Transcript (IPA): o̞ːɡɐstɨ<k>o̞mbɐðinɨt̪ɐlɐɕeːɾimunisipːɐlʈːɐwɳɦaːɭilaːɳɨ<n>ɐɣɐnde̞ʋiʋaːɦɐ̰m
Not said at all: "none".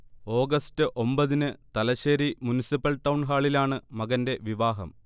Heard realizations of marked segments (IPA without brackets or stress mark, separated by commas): ʔ, m